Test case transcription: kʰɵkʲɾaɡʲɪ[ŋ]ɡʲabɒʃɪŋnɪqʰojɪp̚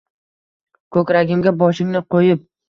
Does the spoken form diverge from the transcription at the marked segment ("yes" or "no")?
yes